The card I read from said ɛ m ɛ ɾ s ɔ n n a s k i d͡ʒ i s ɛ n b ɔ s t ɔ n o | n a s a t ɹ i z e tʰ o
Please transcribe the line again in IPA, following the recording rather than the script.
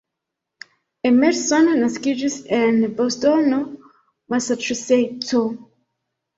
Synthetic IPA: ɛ m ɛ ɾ s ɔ n n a s k i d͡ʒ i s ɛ n b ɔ s t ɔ n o | m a s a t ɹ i s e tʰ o